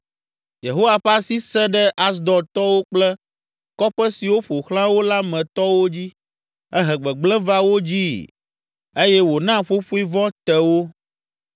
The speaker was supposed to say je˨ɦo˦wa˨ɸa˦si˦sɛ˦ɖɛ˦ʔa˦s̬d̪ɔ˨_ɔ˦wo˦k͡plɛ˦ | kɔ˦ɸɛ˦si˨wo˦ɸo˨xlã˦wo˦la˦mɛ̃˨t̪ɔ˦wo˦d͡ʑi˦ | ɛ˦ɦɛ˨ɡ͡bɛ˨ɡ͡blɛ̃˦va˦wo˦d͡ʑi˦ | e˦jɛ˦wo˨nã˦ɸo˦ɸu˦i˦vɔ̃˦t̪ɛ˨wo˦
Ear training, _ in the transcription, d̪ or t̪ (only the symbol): t̪